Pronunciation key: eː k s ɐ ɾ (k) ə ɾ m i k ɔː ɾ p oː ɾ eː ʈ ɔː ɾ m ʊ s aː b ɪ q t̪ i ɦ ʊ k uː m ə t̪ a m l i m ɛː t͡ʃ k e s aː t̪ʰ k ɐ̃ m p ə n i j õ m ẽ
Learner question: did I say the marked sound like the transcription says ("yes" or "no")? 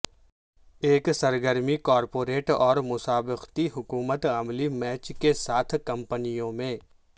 no